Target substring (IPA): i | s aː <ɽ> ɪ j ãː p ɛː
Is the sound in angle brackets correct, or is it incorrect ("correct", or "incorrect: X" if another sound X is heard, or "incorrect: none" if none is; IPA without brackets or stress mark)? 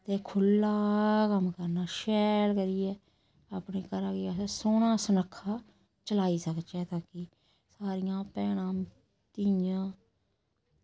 incorrect: ɾ